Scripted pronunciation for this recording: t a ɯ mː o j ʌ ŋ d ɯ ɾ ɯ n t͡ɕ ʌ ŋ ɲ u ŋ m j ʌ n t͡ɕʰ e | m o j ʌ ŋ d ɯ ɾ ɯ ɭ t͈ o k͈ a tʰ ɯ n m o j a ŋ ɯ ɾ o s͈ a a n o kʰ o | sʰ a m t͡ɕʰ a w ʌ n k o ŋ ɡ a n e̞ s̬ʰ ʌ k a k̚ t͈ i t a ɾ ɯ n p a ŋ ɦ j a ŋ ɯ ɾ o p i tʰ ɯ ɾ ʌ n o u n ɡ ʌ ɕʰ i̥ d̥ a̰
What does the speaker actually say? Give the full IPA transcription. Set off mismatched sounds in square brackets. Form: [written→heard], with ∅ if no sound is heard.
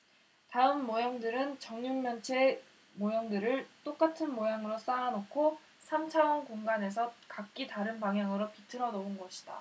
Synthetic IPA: t a ɯ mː o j ʌ ŋ d ɯ ɾ ɯ n t͡ɕ ʌ ŋ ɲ u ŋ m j ʌ n t͡ɕʰ e | m o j ʌ ŋ d ɯ ɾ ɯ ɭ t͈ o k͈ a tʰ ɯ n m o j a ŋ ɯ ɾ o s͈ a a n o kʰ o | sʰ a m t͡ɕʰ a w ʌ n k o ŋ ɡ a n e̞ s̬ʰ ʌ k a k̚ [t͈→k͈] i t a ɾ ɯ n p a ŋ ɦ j a ŋ ɯ ɾ o p i tʰ ɯ ɾ ʌ n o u n ɡ ʌ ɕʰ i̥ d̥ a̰